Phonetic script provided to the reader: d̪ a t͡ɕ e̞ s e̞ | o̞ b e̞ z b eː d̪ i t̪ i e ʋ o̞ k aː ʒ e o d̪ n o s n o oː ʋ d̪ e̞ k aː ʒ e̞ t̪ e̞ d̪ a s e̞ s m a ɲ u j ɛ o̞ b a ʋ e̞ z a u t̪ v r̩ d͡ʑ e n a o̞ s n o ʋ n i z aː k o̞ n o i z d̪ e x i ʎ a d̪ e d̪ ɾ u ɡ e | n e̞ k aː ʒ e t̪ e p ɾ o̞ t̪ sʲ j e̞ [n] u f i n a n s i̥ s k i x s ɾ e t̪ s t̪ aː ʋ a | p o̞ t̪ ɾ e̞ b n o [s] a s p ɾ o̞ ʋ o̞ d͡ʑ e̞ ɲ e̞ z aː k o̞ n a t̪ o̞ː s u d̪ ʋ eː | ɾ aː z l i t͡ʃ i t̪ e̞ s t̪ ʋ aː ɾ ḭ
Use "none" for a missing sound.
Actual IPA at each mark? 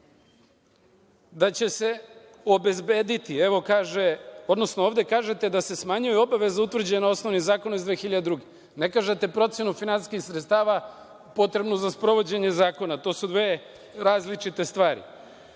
n, z

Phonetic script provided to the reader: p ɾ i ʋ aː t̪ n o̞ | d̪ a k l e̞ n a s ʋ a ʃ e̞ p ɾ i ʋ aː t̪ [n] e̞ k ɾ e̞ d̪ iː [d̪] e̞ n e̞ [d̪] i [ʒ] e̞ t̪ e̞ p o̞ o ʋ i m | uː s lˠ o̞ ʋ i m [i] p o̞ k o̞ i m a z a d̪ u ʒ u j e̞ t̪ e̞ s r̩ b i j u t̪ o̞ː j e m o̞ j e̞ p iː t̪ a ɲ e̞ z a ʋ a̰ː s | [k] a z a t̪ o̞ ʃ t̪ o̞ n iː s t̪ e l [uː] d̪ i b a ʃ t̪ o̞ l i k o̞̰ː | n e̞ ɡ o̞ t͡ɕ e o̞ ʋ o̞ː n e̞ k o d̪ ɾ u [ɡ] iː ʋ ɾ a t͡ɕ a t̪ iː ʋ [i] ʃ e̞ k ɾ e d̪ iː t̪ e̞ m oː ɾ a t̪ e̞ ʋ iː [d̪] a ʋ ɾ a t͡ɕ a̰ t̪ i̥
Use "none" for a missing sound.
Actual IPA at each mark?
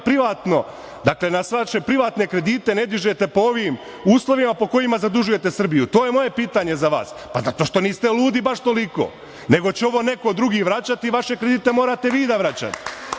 n, t̪, d̪, ʒ, a, p, uː, ɡ, a, d̪

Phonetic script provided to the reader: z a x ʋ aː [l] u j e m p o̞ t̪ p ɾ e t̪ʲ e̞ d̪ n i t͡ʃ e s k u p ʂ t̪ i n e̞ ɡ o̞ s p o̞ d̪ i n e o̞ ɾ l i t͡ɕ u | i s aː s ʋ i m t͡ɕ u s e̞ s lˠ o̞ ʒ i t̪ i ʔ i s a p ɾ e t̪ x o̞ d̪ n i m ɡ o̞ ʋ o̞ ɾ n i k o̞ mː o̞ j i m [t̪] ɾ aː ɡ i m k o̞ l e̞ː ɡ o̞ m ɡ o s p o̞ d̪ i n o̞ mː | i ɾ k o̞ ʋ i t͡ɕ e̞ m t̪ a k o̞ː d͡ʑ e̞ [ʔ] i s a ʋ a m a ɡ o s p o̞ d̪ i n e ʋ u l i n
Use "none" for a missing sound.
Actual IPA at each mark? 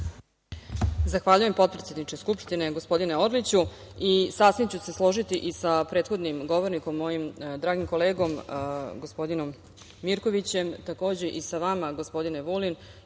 ʎ, d̪, ʔ

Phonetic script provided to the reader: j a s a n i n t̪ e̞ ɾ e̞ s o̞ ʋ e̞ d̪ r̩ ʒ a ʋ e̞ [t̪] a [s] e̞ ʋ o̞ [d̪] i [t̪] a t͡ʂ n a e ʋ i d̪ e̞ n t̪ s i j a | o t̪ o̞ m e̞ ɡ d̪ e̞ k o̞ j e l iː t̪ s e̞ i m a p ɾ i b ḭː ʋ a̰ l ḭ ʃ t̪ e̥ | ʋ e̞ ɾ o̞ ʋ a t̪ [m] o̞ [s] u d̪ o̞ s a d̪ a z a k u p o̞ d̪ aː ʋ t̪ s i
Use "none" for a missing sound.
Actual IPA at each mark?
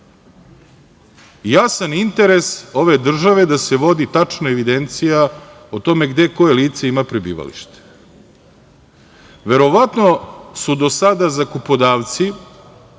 d̪, s, d̪, t̪, n, s

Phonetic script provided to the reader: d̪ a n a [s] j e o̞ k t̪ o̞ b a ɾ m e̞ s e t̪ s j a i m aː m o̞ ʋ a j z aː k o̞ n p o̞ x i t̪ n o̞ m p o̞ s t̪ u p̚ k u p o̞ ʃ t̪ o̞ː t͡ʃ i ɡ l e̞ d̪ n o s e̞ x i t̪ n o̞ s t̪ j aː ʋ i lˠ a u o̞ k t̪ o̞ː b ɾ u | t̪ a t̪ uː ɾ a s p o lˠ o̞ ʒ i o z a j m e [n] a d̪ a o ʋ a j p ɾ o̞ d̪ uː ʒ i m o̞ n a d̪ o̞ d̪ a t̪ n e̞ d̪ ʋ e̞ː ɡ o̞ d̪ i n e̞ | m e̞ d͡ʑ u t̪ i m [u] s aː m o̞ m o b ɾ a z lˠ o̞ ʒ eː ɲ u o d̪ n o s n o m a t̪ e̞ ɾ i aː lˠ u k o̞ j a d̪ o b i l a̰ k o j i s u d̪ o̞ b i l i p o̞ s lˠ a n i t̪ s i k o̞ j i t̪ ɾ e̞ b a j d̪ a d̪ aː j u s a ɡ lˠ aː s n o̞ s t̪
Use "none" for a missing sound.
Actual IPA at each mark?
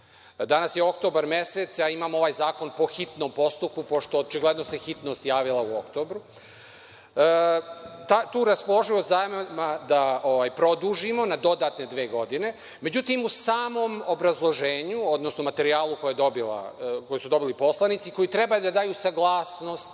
s, m, u

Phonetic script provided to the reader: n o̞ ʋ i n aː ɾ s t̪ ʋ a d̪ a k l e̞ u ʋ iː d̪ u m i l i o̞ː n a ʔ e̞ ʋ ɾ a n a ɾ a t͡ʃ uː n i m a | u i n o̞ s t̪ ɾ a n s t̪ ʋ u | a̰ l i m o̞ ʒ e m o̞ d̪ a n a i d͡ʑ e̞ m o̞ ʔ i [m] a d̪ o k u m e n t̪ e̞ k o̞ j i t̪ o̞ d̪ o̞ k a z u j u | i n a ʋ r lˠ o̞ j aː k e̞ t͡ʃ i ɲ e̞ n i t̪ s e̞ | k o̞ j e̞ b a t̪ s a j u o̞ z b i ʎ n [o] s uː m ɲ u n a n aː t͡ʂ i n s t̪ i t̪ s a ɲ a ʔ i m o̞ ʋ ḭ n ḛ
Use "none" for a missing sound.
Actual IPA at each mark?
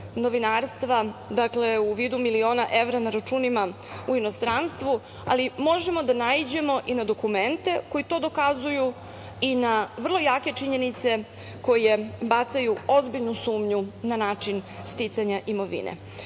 n, u

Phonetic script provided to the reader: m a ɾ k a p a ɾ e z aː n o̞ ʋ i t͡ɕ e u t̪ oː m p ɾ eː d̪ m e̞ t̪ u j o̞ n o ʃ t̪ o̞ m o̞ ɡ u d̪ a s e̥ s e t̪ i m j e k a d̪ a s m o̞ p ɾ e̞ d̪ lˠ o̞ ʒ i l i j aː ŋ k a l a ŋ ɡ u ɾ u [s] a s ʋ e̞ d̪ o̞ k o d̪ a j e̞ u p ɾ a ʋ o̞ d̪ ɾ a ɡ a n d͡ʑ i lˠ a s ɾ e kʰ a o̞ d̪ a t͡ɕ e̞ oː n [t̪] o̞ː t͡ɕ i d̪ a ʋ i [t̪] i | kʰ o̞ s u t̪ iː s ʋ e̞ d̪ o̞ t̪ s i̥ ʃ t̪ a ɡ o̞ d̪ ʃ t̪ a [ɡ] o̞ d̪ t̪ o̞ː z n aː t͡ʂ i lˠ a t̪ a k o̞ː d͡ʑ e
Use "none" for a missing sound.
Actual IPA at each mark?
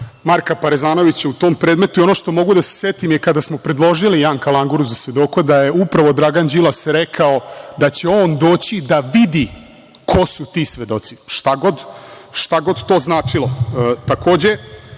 z, d̪, d̪, ɡ

